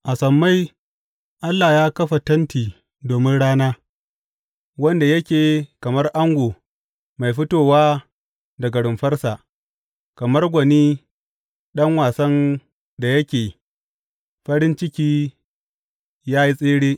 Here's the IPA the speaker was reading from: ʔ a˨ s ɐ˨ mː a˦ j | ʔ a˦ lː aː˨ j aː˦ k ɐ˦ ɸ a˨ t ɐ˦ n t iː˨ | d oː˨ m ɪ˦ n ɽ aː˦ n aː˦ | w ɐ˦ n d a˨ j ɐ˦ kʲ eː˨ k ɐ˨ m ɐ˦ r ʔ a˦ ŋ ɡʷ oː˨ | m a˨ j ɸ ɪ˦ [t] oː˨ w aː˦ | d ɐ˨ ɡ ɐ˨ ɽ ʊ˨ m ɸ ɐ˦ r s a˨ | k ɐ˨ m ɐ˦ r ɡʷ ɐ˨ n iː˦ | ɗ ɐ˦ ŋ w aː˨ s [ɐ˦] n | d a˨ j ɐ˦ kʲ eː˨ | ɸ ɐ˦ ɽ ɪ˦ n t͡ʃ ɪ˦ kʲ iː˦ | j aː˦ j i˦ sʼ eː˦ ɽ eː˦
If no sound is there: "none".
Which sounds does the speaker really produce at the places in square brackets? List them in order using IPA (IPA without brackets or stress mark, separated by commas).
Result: t, ɐ˦